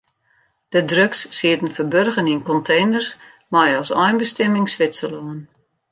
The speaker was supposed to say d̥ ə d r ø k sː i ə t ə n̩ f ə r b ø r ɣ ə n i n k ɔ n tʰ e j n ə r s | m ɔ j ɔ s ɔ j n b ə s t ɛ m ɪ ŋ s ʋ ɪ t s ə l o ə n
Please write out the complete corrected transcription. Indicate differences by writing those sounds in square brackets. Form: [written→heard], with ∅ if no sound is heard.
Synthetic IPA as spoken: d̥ ə d r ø k sː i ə t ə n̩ f ə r b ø r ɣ ə n i n k ɔ n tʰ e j n ə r s | m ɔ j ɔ s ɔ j n b ə s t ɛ m ɪ ŋ s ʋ ɪ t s ə l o ə n

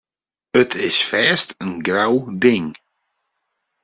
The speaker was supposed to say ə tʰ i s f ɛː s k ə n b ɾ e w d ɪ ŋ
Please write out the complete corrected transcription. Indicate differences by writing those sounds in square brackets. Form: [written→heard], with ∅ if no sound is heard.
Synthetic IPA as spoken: ə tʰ [i→ɪ] s f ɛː s [k→t] ə n [b→ɡ] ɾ [e→a] w d ɪ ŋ

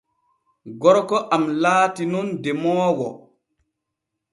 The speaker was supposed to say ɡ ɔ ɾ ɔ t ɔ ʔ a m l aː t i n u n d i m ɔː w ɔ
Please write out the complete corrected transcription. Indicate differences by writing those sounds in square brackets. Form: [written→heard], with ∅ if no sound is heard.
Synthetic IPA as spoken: ɡ ɔ ɾ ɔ [t→k] ɔ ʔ a m l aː t i n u n d [i→ɛ] m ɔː w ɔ

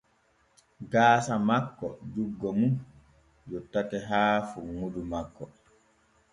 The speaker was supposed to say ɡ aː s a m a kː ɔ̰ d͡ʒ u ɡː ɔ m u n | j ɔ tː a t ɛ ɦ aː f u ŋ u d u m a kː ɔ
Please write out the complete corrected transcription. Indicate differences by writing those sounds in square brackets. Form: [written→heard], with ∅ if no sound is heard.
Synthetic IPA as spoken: ɡ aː s a m a kː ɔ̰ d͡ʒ u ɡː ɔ m u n | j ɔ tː a t ɛ ɦ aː f u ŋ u d u m a kː ɔ

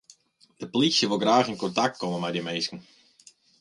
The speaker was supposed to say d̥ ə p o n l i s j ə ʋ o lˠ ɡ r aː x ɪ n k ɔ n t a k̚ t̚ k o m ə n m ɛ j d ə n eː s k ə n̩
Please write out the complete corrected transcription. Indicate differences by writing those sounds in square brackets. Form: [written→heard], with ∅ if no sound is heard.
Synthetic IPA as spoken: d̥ ə p o [n→∅] l i s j ə ʋ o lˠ ɡ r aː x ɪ n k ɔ n t a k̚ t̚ k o m ə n m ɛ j d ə [n→m] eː s k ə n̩

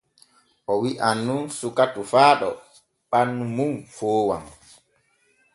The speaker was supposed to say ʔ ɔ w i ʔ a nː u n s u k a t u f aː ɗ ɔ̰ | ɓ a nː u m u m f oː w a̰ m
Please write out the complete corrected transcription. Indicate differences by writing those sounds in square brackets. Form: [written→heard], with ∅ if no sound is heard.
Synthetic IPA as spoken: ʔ ɔ w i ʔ a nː u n s u k a t u f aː ɗ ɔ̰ | ɓ a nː u m u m f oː w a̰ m

